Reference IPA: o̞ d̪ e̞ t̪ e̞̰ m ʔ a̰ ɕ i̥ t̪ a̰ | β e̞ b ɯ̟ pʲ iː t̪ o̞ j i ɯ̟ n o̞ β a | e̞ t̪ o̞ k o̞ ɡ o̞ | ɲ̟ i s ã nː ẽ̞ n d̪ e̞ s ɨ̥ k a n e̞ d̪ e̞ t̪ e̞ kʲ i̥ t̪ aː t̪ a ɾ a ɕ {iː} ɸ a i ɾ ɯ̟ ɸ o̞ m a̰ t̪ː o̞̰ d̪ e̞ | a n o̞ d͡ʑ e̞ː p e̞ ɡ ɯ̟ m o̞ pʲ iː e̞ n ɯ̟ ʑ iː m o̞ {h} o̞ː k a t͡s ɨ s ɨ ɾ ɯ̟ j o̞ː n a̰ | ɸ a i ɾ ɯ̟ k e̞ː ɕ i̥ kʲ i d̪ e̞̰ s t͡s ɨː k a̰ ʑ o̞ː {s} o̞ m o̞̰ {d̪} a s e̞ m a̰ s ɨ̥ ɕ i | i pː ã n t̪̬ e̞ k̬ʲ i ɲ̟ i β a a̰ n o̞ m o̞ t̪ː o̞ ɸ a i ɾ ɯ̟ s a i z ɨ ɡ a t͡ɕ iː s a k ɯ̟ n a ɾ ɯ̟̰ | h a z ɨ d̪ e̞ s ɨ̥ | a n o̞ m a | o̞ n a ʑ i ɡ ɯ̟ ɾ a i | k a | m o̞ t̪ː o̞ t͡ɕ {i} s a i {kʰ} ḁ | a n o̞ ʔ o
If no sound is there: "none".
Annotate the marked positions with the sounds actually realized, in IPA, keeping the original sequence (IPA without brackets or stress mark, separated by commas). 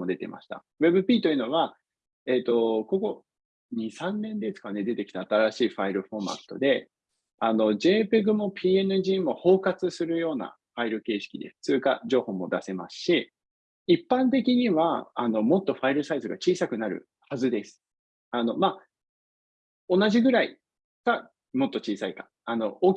iː, h, h, d̪, iː, k